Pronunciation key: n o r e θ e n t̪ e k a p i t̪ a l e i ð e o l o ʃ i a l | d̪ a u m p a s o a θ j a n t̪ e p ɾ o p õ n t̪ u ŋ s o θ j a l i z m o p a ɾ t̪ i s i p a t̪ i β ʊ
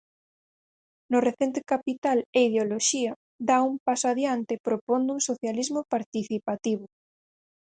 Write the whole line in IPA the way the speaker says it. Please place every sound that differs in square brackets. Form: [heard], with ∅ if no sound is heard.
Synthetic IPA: n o r e θ e n t̪ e k a p i t̪ a l e i ð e o l o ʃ i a [∅] | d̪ a u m p a s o a [ð] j a n t̪ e p ɾ o p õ n [d̪] u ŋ s o θ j a l i z m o p a ɾ t̪ i [θ] i p a t̪ i β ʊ

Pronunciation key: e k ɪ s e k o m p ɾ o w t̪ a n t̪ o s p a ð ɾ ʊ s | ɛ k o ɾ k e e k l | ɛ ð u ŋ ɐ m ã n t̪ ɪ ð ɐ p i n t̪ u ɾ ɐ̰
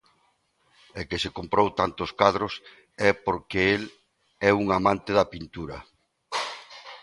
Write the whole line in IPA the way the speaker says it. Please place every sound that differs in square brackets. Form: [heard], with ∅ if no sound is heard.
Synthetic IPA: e k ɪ s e k o m p ɾ o w t̪ a n t̪ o s [k] a ð ɾ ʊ s | ɛ [p] o ɾ k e e [∅] l | ɛ [∅] u ŋ [a] m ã n t̪ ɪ ð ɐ p i n t̪ u ɾ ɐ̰

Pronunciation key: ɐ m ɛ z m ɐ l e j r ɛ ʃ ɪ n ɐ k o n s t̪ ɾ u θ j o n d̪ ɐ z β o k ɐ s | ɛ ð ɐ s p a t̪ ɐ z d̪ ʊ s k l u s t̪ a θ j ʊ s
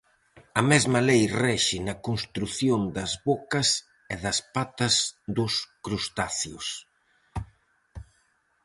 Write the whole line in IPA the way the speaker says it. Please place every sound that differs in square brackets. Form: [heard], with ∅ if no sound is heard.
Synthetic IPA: ɐ m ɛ z m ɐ l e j r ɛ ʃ ɪ n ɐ k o n s t̪ ɾ u θ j o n d̪ ɐ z β o k ɐ s | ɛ ð ɐ s p a t̪ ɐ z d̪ ʊ s k [ɾ] u s t̪ a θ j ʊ s

